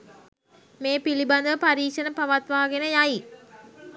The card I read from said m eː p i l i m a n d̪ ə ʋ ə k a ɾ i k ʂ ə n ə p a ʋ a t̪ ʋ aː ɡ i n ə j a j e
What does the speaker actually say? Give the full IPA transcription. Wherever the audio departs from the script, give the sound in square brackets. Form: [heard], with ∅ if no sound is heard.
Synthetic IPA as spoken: m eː p i l i [b] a n d̪ ə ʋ ə [p] a ɾ [iː] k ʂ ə n ə p a ʋ a t̪ ʋ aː ɡ [e] n ə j a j [i]